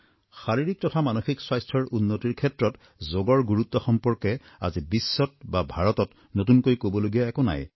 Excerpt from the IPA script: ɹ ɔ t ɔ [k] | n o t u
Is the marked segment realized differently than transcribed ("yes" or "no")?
yes